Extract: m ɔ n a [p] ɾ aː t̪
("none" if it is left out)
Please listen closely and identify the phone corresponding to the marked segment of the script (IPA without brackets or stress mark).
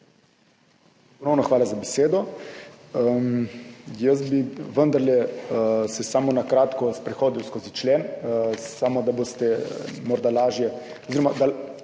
k